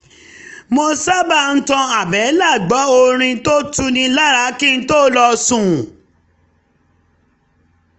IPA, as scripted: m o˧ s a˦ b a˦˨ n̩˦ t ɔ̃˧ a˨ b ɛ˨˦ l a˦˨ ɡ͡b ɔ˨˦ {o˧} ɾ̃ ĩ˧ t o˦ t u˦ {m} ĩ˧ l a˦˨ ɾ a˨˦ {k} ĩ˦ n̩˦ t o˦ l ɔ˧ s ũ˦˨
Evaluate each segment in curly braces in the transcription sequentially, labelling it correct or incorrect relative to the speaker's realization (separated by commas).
correct, incorrect, correct